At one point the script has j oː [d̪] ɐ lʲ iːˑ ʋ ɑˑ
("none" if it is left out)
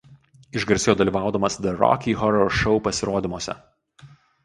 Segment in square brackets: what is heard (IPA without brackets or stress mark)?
d̪